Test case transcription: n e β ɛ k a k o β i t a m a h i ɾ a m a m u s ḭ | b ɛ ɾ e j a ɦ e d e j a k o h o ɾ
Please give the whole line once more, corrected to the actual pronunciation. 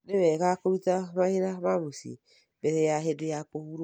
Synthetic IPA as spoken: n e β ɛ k a k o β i t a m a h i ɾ a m a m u s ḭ | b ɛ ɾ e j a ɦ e d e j a k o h u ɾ

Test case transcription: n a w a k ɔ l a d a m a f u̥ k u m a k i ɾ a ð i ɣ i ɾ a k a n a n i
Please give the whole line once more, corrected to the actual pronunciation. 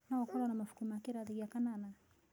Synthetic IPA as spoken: n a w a k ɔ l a n a m a f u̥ k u m a k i ɾ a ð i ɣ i a k a n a n a

